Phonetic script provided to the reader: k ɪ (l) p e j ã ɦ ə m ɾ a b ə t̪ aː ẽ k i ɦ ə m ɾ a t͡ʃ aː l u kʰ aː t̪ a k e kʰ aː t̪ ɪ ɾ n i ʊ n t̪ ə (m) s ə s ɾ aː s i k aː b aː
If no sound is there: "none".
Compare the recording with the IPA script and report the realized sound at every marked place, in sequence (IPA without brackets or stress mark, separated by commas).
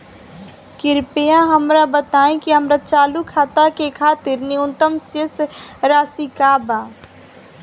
ɾ, m